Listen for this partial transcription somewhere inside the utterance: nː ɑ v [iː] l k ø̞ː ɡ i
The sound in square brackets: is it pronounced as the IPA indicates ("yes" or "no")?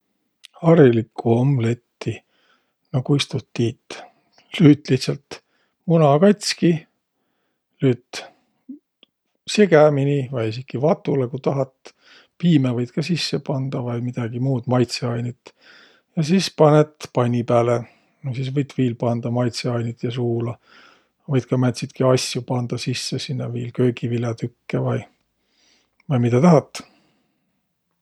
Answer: yes